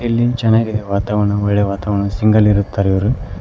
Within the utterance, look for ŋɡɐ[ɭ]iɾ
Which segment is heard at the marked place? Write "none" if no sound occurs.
l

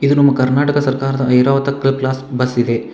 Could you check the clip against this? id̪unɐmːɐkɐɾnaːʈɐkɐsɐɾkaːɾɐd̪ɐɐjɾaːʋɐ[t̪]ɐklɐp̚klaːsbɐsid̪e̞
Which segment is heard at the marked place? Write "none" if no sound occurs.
t̪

